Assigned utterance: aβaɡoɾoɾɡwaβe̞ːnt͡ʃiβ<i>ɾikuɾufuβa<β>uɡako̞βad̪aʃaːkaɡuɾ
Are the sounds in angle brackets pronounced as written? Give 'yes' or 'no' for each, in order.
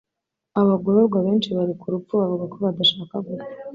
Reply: no, no

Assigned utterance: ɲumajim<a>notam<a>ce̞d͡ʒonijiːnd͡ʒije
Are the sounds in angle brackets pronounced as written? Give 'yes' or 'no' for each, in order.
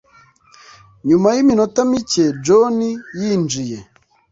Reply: no, no

